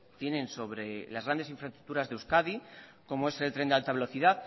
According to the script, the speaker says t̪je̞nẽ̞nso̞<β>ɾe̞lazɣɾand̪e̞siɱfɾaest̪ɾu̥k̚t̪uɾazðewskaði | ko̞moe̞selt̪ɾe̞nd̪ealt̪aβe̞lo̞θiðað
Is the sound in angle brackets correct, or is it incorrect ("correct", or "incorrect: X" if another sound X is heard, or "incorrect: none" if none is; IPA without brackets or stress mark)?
correct